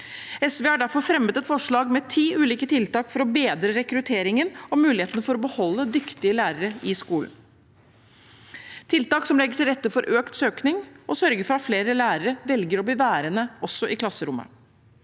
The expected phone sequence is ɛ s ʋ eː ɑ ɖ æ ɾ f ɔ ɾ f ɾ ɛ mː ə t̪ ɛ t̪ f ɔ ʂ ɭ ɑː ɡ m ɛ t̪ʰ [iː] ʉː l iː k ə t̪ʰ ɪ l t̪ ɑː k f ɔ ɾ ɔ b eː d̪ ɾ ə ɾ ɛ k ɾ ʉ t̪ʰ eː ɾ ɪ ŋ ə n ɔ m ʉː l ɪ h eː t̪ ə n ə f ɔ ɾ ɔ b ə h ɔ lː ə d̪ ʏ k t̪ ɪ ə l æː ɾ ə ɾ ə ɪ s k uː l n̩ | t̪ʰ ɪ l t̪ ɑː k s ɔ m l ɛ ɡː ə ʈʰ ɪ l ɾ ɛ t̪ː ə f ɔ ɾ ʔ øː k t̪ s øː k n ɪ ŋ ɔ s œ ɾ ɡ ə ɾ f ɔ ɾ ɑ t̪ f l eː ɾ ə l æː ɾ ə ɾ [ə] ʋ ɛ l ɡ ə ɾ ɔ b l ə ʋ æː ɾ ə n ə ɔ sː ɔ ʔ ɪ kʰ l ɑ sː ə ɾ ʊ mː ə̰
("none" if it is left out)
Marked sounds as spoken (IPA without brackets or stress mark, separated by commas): iː, ə